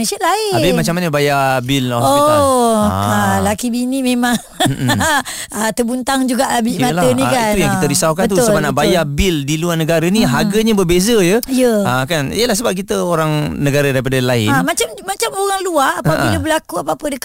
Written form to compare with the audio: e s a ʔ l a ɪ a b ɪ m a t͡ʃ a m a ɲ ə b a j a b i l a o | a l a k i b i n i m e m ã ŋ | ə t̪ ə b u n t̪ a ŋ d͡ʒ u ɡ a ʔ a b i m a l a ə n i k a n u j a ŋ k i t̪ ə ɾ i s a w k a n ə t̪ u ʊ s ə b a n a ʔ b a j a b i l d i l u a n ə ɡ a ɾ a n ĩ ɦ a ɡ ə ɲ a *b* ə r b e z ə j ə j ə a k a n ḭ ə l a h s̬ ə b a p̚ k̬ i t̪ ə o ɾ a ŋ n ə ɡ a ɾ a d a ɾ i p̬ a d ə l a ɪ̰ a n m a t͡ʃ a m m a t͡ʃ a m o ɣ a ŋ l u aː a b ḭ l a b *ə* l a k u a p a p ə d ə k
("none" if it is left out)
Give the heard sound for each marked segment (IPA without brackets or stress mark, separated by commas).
b, ə